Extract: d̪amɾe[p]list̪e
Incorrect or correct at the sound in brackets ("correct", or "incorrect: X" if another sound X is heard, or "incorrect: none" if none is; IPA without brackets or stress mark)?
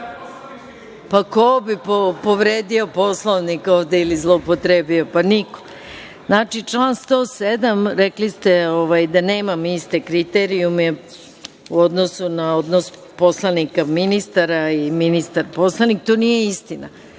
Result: incorrect: k